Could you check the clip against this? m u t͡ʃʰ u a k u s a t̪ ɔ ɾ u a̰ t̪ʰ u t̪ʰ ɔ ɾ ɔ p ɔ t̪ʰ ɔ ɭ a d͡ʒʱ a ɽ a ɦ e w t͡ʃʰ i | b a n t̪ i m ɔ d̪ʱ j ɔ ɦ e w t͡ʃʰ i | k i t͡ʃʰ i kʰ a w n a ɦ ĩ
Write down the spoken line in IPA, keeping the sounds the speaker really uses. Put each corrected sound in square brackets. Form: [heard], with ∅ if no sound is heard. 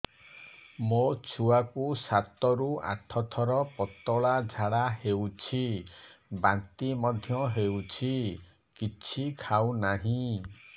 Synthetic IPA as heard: m [o] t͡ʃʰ u a k u s a t̪ ɔ ɾ u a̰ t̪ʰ [ɔ] t̪ʰ ɔ ɾ ɔ p ɔ [t̪] ɔ ɭ a d͡ʒʱ a ɽ a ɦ e w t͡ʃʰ i | b a n t̪ i m ɔ d̪ʱ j ɔ ɦ e w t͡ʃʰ i | k i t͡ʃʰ i kʰ a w n a ɦ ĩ